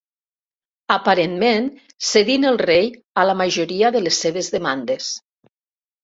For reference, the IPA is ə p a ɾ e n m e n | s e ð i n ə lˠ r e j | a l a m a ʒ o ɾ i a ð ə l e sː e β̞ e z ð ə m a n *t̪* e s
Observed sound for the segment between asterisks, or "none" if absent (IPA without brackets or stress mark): d̪